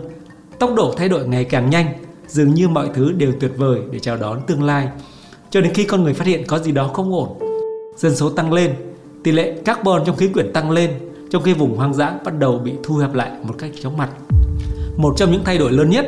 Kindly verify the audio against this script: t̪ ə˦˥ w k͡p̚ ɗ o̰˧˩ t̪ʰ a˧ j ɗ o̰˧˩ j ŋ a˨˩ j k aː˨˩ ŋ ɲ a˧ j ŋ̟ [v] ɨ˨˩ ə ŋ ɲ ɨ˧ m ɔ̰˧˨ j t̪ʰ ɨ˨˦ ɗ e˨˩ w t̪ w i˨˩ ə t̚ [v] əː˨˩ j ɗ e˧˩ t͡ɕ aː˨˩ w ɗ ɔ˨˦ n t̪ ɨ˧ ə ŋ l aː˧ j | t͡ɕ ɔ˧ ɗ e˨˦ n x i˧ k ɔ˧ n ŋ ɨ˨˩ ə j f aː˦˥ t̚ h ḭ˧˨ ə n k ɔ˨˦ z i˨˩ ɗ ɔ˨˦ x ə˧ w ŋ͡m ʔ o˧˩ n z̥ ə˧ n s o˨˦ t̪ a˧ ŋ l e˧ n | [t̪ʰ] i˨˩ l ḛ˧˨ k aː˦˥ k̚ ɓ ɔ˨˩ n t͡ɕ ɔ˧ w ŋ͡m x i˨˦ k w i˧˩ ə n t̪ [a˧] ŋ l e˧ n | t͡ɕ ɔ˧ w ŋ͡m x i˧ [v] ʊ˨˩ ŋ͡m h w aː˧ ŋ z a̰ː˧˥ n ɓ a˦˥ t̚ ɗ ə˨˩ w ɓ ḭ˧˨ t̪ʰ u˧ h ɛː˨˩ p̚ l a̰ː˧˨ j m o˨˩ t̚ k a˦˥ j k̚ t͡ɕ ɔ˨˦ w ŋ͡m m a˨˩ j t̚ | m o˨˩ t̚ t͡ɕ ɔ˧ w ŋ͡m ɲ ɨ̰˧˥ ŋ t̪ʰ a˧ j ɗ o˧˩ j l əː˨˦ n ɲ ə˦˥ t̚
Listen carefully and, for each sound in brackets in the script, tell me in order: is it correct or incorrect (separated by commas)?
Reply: incorrect, correct, incorrect, correct, correct